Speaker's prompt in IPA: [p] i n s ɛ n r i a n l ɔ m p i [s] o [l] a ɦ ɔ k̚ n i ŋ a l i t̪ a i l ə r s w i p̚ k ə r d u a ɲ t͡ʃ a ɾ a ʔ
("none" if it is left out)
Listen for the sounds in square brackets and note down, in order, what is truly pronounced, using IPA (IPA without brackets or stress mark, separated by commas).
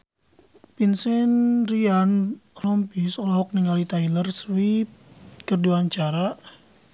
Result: p, s, l